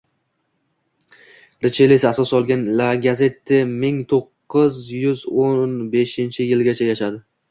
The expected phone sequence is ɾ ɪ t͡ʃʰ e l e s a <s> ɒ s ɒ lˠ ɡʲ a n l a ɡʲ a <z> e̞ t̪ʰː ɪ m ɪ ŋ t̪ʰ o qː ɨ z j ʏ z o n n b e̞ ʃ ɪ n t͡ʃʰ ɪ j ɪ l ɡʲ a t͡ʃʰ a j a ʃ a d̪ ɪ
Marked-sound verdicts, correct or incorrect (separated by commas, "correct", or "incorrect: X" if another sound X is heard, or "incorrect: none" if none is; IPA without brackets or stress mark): correct, correct